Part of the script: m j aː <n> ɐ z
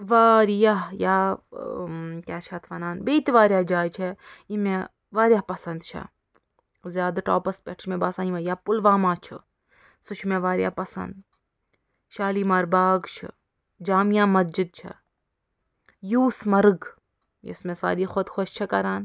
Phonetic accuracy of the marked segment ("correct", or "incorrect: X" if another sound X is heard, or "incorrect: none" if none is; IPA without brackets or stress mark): incorrect: m